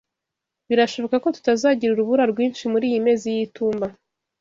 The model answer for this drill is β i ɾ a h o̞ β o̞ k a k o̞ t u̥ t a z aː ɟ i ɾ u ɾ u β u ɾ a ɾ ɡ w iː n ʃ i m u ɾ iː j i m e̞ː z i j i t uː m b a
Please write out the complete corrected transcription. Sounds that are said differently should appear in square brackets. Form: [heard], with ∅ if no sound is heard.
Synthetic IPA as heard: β i ɾ a [ʃ] o̞ β o̞ k a k o̞ t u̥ t a z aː ɟ i ɾ u ɾ u β u ɾ a ɾ ɡ w iː n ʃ i m u ɾ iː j i m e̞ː z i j i t uː m b a